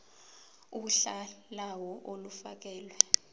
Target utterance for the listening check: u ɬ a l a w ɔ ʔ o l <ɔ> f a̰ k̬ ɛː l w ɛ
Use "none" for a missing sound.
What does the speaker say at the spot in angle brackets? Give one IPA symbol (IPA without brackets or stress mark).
u